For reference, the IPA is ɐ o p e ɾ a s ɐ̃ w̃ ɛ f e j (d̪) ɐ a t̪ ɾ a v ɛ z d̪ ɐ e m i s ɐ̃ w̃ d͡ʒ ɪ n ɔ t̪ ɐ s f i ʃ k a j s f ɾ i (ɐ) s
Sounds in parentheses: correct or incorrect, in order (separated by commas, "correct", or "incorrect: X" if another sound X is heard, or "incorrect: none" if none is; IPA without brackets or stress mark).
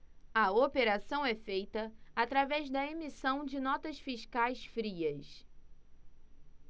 incorrect: t̪, correct